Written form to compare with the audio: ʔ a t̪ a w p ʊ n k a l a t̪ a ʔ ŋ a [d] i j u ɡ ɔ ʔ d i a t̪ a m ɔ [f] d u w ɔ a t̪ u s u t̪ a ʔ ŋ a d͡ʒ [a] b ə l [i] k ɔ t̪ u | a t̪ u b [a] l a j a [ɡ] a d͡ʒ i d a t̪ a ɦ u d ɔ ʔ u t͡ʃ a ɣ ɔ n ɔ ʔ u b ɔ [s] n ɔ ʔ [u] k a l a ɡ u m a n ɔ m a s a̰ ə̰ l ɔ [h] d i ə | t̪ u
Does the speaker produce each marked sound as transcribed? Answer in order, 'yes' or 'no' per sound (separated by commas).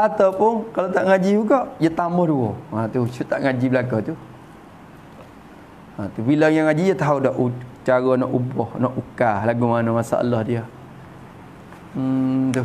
no, no, no, no, no, no, no, yes, yes